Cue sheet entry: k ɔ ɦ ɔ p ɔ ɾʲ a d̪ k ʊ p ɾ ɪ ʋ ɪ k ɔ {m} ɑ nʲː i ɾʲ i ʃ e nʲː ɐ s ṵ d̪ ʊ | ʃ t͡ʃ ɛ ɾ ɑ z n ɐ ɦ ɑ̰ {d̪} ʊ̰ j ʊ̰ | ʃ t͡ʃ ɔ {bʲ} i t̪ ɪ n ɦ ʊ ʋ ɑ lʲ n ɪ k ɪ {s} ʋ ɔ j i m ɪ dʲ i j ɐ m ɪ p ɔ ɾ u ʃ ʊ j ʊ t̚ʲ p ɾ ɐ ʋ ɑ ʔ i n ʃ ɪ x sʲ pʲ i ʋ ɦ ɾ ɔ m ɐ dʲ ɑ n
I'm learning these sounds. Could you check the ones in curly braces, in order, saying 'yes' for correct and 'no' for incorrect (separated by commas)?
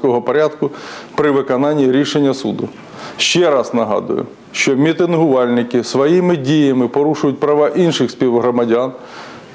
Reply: no, yes, no, yes